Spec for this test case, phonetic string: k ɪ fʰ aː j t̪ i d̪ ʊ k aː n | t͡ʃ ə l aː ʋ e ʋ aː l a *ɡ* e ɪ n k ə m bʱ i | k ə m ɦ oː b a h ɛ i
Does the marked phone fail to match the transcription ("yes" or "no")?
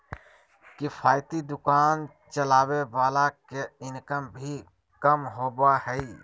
yes